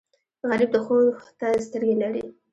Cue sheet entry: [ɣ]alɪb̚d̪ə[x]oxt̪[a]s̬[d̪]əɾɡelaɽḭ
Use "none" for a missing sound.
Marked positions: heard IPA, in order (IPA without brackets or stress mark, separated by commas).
ɣ, x, a, t̪